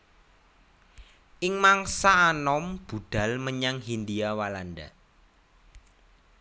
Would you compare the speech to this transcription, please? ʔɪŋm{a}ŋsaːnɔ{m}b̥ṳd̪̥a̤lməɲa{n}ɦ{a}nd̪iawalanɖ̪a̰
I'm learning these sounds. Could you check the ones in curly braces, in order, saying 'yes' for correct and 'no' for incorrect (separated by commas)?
yes, yes, no, no